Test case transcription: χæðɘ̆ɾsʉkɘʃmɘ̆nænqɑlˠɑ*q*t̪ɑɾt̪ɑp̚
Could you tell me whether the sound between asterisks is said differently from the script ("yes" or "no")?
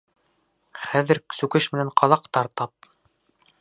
no